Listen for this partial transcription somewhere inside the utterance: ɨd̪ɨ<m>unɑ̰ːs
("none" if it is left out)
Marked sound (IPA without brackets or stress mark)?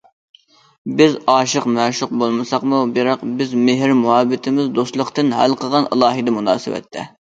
m